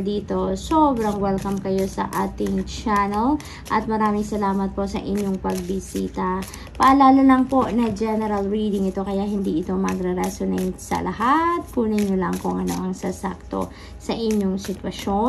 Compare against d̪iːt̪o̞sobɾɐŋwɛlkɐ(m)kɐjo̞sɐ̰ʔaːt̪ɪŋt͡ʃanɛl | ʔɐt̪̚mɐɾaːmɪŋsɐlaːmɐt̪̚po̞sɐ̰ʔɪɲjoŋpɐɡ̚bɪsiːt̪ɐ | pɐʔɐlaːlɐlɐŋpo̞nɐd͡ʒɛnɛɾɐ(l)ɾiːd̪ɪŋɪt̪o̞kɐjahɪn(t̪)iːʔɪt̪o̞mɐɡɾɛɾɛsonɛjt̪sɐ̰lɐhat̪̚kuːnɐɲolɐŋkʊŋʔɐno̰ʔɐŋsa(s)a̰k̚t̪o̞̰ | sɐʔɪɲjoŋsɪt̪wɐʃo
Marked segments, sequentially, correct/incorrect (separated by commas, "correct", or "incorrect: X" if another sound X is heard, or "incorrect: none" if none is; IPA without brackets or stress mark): correct, correct, incorrect: d̪, correct